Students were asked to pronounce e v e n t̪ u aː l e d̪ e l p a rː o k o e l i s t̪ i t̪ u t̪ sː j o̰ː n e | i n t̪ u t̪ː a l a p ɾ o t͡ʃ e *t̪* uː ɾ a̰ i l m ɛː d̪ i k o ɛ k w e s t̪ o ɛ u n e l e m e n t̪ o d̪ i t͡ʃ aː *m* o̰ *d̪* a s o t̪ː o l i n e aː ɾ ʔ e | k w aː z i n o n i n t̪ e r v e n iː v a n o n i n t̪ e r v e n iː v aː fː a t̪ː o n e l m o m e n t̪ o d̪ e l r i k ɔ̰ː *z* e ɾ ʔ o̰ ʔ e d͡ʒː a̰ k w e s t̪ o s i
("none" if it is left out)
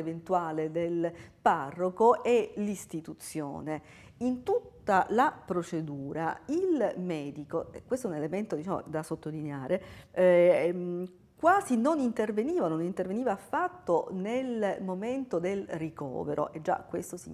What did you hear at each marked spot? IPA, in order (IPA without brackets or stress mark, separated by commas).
d̪, m, d̪, v